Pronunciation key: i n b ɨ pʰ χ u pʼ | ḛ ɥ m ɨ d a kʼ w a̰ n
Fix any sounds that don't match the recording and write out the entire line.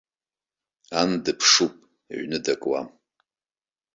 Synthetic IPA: a n d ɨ pʰ ʂ u pʼ | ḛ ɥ n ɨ d a kʼ w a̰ m

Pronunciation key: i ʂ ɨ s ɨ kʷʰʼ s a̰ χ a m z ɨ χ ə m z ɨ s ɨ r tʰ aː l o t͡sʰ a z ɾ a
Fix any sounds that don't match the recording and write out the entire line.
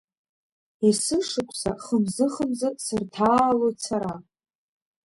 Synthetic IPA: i s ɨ ʂ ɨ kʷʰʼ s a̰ χ ə m z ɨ χ ə m z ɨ s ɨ r tʰ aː l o t͡sʰ a ɾ a

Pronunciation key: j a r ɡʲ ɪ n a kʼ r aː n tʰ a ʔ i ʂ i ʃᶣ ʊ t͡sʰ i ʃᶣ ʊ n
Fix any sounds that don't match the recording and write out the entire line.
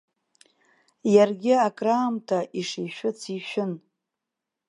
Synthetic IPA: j a r ɡʲ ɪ a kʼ r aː m tʰ a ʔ i ʂ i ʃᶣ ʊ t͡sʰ i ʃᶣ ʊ n

